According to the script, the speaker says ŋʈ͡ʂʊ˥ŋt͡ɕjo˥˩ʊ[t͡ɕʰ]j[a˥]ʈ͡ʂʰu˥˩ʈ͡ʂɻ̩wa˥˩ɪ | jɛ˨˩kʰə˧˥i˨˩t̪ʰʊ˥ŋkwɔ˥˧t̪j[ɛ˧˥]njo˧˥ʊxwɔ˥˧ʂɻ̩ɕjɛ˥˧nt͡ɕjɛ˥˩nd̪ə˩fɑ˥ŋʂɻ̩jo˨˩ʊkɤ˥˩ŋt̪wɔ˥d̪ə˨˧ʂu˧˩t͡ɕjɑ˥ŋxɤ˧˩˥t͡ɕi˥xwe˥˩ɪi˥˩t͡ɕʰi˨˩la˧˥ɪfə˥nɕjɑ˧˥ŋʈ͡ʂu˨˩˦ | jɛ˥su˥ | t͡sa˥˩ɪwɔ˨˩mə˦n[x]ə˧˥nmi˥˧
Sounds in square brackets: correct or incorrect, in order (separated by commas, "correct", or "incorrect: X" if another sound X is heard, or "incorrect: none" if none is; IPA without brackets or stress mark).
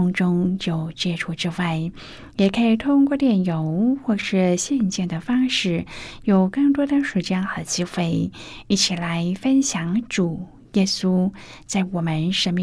incorrect: t͡ɕ, incorrect: ɛ˥, incorrect: ɛ˥˩, incorrect: ʂ